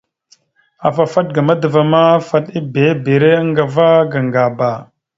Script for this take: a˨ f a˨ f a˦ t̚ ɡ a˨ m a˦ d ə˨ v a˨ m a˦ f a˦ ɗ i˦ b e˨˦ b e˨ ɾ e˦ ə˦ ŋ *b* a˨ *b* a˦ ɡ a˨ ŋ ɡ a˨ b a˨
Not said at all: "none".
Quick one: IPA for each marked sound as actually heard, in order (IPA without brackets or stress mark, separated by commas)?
ɡ, v